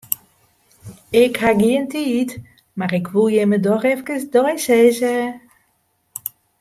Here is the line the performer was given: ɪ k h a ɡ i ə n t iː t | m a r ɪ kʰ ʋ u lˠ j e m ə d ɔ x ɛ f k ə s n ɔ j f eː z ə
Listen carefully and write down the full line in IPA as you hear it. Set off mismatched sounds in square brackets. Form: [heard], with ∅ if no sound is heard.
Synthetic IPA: ɪ k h a ɡ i ə n t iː t | m a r ɪ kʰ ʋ u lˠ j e m ə d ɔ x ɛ f k ə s [d] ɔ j [s] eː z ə